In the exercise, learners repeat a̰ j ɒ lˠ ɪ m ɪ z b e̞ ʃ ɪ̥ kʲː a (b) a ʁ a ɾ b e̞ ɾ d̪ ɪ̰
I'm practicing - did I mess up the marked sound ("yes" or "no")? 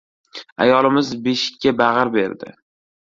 no